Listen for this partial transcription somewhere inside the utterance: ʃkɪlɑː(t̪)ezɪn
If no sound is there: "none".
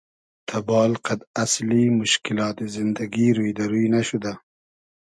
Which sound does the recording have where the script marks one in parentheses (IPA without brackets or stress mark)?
t̪